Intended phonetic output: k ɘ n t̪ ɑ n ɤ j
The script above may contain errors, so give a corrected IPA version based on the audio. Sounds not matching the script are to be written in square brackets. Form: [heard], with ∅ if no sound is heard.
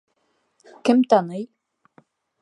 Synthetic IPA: k ɘ [m] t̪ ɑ n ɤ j